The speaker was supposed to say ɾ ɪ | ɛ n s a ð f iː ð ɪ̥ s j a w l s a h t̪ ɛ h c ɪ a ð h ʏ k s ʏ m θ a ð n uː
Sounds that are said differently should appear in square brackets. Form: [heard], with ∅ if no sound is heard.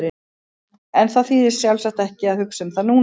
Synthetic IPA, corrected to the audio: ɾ ɪ | ɛ n [θ] a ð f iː ð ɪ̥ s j a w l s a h t̪ ɛ h c ɪ a ð h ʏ k s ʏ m θ a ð n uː